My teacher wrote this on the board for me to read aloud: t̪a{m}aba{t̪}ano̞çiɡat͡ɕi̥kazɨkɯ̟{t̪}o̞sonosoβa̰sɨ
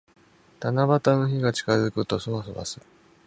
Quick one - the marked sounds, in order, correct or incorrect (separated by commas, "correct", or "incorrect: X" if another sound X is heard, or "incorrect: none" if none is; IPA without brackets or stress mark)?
incorrect: n, correct, correct